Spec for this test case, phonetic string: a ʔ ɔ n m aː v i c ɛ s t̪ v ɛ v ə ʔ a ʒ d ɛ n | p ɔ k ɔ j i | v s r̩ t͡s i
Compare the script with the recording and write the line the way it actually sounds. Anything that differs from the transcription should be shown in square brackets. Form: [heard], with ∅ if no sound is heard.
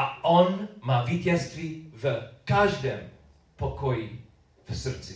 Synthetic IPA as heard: a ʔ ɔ n m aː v i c ɛ s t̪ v [i] v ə [k] a ʒ d ɛ [m] | p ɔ k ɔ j i | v s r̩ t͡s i